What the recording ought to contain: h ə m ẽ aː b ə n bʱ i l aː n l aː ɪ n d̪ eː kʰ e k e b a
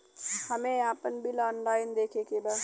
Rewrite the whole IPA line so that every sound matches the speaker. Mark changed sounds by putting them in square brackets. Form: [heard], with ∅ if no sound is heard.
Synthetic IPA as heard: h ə m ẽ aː [p] ə n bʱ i l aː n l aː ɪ n d̪ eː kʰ e k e b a

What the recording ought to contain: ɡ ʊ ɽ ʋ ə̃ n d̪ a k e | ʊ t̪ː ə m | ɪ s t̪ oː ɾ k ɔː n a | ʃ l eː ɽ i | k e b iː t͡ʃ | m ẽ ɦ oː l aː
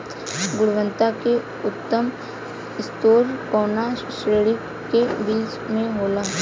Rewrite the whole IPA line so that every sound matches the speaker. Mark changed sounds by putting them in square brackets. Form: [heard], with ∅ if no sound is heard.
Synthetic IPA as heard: ɡ ʊ ɽ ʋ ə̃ n [t̪] a k e | ʊ t̪ː ə m | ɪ s t̪ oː ɾ k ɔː n a | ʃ [ɾ] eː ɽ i | k e b iː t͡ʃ | m ẽ ɦ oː l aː

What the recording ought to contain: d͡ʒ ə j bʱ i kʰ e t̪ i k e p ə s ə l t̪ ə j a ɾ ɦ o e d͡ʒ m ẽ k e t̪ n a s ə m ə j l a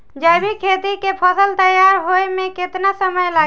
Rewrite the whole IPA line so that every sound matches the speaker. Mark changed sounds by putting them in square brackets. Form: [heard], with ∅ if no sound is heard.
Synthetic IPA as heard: d͡ʒ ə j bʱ i kʰ e t̪ i k e [pʰ] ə s ə l t̪ ə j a ɾ ɦ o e [∅] m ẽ k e t̪ n a s ə m ə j l a

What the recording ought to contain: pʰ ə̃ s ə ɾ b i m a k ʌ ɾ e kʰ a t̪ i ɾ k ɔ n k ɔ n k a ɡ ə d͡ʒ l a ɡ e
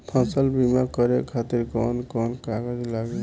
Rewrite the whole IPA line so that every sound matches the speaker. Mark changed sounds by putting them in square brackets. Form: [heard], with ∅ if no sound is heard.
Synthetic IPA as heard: pʰ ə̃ s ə [l] b i m a k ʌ ɾ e kʰ a t̪ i ɾ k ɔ n k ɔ n k a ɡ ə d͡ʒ l a ɡ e

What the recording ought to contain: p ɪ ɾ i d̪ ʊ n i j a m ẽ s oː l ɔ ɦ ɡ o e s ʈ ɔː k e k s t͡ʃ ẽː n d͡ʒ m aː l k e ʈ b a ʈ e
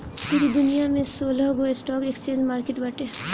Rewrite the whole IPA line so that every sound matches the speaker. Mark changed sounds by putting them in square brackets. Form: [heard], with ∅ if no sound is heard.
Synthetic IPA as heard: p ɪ ɾ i d̪ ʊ n i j a m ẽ s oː l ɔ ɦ ɡ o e s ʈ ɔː k e k s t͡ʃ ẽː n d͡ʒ m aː [ɾ] k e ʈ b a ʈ e

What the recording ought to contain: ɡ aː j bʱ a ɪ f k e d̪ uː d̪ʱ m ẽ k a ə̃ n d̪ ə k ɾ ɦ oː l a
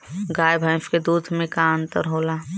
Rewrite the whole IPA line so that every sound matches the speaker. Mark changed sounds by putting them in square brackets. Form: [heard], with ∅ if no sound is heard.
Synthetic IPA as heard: ɡ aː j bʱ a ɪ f k e d̪ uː d̪ʱ m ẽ k a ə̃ n [t̪] ə [∅] ɾ ɦ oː l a

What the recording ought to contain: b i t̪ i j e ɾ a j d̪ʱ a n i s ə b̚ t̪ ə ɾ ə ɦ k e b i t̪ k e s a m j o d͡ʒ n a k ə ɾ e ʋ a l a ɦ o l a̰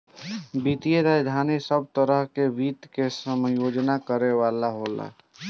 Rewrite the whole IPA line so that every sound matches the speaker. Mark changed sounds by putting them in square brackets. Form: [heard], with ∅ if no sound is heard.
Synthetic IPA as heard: b i t̪ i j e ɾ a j d̪ʱ a n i s ə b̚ t̪ ə ɾ ə ɦ k e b i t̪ k e s [ə] m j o d͡ʒ n a k ə ɾ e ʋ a l a ɦ o l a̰

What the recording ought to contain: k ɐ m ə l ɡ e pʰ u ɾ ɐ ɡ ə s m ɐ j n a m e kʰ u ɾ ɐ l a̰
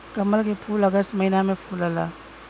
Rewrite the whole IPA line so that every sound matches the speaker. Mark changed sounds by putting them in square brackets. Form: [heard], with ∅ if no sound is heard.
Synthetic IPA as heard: k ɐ m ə l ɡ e pʰ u [l] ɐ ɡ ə s m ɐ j n a m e [pʰ] u [l] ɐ l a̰

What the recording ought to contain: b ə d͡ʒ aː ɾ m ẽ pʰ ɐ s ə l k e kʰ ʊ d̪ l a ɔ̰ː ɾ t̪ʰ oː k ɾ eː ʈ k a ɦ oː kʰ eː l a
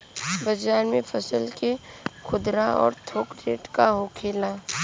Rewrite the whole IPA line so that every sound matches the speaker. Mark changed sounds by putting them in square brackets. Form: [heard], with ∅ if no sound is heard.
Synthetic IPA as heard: b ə d͡ʒ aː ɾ m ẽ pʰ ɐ s ə l k e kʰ ʊ d̪ [ɾ] a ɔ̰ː ɾ t̪ʰ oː k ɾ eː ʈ k a ɦ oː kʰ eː l a

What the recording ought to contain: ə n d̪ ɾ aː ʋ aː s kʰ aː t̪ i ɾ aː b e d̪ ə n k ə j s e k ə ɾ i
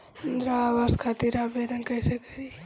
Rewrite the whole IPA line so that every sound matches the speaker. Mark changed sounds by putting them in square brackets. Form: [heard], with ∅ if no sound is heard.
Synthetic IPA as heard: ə n d̪ ɾ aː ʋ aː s kʰ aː t̪ i ɾ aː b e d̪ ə n k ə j s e k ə ɾ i

